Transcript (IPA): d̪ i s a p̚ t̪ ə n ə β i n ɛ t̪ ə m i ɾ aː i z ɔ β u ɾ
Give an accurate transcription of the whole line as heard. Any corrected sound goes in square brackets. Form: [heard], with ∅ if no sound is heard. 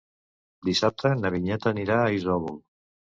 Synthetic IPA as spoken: d̪ i s a p̚ t̪ ə n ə β i [ɲ] ɛ t̪ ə [n] i ɾ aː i z ɔ β u [l]